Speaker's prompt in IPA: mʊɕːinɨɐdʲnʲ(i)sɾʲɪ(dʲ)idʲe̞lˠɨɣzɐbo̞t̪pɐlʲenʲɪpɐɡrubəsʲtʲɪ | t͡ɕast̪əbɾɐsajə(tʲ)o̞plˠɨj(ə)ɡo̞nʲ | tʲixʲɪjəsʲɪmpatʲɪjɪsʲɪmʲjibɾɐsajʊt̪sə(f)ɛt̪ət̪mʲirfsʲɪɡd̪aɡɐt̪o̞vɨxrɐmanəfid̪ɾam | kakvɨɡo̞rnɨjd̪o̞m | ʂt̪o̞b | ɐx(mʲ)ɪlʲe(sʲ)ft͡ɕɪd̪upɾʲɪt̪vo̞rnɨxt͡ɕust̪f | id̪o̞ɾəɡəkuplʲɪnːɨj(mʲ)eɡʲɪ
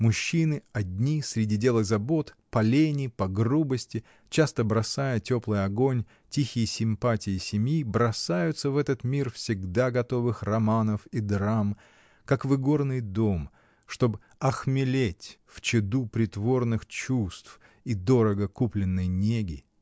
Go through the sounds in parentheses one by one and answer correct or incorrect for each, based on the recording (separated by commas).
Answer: correct, correct, correct, incorrect, incorrect, correct, incorrect, incorrect